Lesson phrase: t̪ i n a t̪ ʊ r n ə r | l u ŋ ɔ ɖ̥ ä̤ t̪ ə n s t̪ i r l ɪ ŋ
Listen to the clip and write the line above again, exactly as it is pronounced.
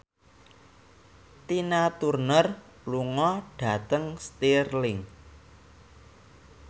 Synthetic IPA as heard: t̪ i n a t̪ u r n ə r | l u ŋ ɔ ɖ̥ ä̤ t̪ ə ŋ s t̪ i r l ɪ ŋ